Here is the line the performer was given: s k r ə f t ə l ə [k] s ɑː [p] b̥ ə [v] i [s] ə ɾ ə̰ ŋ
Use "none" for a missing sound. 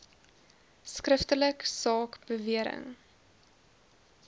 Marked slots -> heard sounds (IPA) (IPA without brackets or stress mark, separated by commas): k, k, v, none